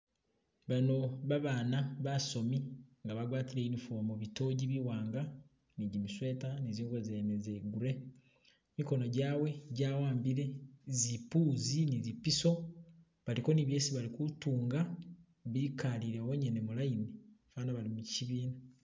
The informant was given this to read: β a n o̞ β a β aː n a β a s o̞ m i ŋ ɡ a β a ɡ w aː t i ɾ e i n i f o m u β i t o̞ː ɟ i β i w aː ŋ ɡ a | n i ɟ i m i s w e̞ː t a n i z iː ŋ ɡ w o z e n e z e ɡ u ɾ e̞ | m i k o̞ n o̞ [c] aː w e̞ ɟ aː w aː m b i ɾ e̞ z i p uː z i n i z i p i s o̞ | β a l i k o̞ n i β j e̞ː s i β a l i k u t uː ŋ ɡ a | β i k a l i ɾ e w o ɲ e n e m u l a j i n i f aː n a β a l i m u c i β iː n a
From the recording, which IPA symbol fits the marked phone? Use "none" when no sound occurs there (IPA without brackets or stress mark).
ɟ